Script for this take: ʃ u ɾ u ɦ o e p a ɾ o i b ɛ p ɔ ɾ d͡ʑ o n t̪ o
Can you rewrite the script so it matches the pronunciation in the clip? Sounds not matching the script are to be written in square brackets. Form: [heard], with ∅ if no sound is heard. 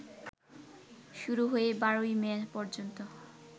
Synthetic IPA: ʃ u ɾ u ɦ o e [b] a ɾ o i [m] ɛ p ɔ ɾ d͡ʑ o n t̪ o